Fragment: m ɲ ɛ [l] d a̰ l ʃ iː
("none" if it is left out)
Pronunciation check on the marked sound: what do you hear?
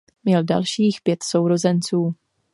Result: l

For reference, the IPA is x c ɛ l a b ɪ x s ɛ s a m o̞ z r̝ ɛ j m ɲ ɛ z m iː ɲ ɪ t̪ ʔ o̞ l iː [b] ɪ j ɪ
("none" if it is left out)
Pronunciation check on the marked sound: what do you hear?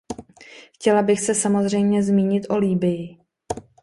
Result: b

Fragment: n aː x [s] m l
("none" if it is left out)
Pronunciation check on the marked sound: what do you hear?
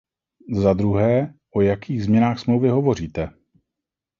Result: s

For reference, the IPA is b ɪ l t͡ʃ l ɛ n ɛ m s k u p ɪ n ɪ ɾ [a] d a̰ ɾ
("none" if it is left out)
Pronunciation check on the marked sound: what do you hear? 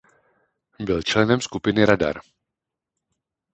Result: a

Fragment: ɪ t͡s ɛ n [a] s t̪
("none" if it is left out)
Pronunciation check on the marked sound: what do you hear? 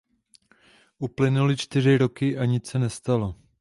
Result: ɛ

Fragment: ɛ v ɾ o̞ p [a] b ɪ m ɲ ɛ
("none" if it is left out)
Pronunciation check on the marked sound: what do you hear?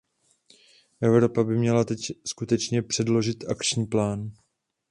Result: a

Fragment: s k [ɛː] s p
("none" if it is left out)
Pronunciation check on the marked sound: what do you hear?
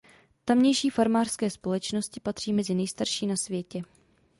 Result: ɛː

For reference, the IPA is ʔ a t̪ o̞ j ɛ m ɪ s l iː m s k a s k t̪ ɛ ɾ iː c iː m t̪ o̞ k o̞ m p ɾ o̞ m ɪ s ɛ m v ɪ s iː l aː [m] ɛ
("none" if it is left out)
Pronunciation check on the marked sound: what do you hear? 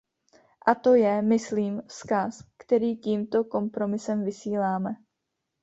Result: m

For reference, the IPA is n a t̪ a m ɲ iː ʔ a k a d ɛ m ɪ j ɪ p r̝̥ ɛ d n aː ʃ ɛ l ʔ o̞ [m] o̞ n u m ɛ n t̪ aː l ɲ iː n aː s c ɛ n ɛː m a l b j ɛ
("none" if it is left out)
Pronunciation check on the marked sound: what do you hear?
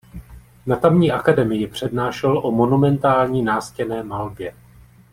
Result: m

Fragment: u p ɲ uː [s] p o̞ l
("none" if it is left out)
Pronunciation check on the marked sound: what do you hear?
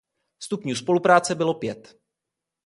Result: s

